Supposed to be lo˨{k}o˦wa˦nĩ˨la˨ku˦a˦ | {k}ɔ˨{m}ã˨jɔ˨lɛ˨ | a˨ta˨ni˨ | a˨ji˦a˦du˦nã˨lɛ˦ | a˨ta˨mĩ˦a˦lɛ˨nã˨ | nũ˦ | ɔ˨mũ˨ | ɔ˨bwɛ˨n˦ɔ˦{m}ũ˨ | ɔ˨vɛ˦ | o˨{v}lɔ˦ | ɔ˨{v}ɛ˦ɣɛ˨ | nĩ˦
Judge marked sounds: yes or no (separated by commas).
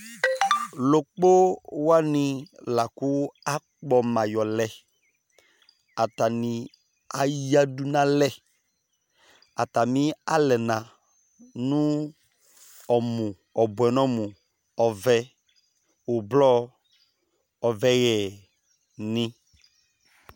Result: no, no, yes, yes, no, yes